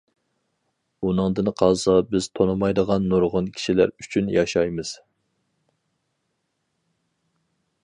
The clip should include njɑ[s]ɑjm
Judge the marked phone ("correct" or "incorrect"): incorrect